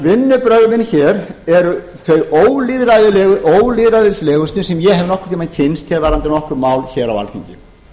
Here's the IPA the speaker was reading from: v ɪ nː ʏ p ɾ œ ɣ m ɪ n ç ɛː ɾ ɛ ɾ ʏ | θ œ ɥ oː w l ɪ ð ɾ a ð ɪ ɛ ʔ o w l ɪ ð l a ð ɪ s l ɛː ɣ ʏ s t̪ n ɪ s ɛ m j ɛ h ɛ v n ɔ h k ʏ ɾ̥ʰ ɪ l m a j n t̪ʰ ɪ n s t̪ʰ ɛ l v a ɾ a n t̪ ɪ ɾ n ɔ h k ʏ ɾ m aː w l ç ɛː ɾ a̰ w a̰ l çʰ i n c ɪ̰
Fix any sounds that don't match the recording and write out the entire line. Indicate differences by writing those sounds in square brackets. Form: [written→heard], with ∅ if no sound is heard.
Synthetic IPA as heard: v ɪ nː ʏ p ɾ œ ɣ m ɪ n ç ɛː ɾ ɛ ɾ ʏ | θ œ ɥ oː w l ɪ ð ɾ a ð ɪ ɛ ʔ o w l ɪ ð [l→ɾ] a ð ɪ s l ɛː ɣ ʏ s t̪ n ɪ s ɛ m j ɛ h ɛ v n ɔ h k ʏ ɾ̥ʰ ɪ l m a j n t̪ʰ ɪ n s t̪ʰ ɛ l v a ɾ a n t̪ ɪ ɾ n ɔ h k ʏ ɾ m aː w l ç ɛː ɾ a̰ w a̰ l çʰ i [n→ɲ] c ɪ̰